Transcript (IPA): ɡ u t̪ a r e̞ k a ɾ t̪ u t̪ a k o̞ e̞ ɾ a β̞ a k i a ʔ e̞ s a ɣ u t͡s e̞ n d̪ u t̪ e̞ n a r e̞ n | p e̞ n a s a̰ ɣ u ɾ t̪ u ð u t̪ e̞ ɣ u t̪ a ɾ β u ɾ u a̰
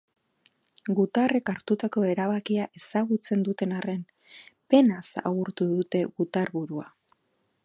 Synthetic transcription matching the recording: ɡ u t̪ a r e̞ k a ɾ t̪ u t̪ a k o̞ e̞ ɾ a β̞ a k i a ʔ e̞ s a ɣ u t͡s e̞ n d̪ u t̪ e̞ n a r e̞ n | p e̞ n a s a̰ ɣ u ɾ t̪ u ð u t̪ e̞ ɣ u t̪ a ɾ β u ɾ u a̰

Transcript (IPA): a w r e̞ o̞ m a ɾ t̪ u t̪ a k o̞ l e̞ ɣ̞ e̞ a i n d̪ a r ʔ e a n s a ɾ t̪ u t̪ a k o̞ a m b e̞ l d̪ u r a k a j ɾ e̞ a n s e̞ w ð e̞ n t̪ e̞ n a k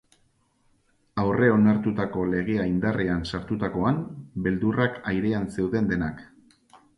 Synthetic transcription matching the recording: a w r e̞ o̞ n a ɾ t̪ u t̪ a k o̞ l e̞ ɣ̞ e̞ a i n d̪ a r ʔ e a n s a ɾ t̪ u t̪ a k o̞ a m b e̞ l d̪ u r a k a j ɾ e̞ a n s e̞ w ð e̞ n d̪ e̞ n a k

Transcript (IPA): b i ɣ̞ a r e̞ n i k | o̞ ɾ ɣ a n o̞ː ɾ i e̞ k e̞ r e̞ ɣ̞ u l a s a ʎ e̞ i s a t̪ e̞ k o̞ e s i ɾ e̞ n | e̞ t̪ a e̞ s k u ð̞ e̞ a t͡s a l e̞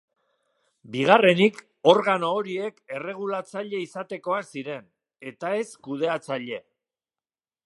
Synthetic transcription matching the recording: b i ɣ̞ a r e̞ n i k | o̞ ɾ ɣ a n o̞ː ɾ i e̞ k e̞ r e̞ ɣ̞ u l a t͡s a ʎ e̞ i s a t̪ e̞ k o̞ a s i ɾ e̞ n | e̞ t̪ a e̞ s k u ð̞ e̞ a t͡s a ʎ e̞

